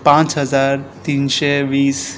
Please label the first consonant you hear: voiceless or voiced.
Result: voiceless